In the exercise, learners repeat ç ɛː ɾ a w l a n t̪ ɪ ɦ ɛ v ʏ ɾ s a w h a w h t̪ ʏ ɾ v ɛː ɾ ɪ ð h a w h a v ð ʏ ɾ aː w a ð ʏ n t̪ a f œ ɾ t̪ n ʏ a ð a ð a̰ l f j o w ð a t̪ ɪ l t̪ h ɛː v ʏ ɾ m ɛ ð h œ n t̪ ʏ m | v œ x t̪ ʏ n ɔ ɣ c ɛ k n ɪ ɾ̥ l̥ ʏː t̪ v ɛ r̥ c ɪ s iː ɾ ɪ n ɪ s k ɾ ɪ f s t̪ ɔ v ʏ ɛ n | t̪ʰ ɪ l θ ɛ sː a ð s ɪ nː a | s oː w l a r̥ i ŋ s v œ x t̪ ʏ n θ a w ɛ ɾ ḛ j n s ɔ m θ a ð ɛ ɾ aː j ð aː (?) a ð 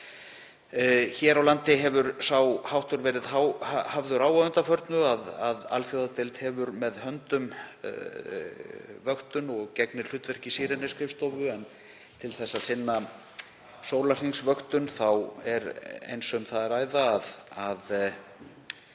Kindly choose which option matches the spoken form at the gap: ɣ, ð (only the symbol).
ð